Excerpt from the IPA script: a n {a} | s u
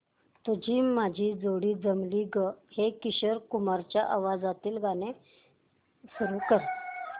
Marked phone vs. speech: incorrect: e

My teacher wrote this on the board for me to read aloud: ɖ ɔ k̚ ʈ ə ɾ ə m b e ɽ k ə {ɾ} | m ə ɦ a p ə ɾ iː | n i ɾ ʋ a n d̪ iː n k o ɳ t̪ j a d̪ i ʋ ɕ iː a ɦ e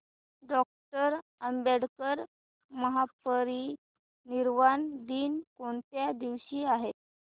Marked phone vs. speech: correct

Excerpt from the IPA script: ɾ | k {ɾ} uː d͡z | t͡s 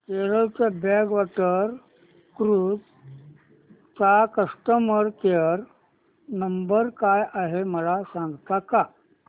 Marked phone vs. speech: correct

